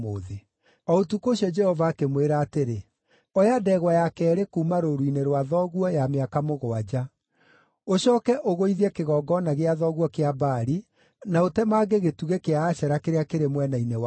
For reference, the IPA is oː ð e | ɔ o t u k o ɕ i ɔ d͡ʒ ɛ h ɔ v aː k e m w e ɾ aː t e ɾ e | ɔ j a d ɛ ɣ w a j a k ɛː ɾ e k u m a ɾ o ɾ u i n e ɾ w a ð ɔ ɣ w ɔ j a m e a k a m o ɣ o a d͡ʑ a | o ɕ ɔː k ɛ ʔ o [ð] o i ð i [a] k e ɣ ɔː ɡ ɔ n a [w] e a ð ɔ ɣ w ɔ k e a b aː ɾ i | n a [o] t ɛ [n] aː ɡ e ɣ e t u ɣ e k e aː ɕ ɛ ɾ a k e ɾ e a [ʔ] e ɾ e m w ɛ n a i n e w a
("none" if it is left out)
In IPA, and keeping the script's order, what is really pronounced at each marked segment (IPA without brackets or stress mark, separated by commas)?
ɣ, ɛ, ɣ, o, m, k